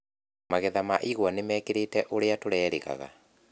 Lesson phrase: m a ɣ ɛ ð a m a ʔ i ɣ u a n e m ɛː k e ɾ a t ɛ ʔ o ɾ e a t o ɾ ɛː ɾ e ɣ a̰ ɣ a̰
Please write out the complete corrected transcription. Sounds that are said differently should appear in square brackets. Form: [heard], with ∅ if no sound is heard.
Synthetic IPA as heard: m a ɣ ɛ ð a m a ʔ i ɣ [w] a n e m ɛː k e ɾ [e] t ɛ ʔ o ɾ e a t o ɾ ɛː ɾ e ɣ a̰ ɣ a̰